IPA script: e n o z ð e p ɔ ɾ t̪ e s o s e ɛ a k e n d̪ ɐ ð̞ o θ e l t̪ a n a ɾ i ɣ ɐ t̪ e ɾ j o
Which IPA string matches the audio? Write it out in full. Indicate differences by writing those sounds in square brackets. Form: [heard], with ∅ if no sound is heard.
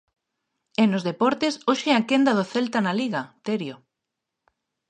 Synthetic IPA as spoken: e n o z ð e p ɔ ɾ t̪ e s o [ʃ] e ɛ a k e n d̪ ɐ ð̞ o θ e l t̪ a n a [l] i ɣ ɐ t̪ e ɾ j o